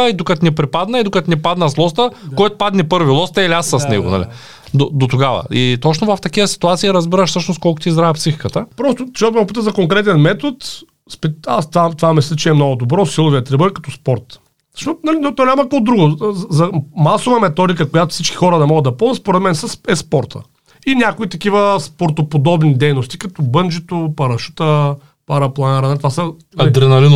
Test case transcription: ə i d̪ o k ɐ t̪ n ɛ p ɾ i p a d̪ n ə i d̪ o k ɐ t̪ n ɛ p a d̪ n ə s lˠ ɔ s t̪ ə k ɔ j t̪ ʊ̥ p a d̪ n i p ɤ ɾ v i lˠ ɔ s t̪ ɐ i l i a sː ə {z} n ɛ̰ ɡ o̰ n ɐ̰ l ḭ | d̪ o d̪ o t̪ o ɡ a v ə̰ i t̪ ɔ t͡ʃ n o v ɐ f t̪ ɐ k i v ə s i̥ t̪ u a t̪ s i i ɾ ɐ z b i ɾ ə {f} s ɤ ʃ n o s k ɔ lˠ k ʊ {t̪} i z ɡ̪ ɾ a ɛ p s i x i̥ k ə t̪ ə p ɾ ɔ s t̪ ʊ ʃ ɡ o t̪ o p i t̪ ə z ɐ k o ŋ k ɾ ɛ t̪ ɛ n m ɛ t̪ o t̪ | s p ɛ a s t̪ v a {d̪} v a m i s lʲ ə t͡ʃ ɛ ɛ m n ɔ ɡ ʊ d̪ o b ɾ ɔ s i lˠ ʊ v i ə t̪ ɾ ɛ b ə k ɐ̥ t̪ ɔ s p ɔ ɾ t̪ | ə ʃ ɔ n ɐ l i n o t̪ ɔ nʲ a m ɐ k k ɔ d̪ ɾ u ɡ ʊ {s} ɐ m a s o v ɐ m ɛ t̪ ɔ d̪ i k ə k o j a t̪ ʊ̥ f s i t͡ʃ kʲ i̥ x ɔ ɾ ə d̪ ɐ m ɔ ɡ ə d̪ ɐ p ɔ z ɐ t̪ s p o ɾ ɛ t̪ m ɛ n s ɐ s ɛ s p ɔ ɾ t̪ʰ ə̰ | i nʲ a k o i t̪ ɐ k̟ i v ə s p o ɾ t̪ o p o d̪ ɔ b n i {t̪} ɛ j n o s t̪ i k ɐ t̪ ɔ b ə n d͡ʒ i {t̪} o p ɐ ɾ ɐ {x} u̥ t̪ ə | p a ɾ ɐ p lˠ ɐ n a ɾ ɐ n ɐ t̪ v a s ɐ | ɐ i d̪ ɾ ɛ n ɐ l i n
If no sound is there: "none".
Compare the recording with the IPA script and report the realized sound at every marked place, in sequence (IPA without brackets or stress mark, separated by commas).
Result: s, ʃ, t̪, t̪, z, d̪, t̪, ʃ